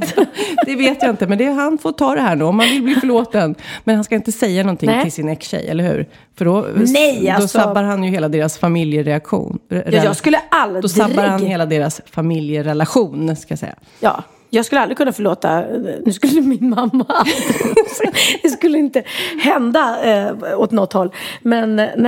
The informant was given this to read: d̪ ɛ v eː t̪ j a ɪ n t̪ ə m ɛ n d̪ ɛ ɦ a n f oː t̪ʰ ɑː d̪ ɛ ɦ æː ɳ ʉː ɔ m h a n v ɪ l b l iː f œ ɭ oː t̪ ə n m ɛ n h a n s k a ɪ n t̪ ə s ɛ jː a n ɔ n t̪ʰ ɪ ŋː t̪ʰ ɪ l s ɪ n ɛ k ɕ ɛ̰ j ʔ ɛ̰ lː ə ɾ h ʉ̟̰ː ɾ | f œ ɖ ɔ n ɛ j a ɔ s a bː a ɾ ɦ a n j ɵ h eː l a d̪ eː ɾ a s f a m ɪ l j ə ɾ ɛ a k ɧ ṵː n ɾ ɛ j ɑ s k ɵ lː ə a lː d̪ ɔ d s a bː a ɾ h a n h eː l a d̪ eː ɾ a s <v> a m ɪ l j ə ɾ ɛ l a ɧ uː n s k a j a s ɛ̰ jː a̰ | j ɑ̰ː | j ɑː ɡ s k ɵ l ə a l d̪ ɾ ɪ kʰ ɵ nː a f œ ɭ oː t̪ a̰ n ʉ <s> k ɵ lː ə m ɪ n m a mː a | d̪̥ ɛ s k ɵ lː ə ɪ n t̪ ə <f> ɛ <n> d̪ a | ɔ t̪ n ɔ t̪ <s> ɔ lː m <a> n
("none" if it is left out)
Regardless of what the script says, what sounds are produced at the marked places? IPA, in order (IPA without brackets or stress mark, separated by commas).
f, s, h, n, h, ɛ